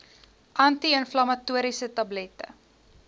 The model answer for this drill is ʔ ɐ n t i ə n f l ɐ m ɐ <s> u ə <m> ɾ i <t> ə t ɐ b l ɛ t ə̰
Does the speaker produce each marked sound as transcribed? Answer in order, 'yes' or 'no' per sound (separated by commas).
no, no, no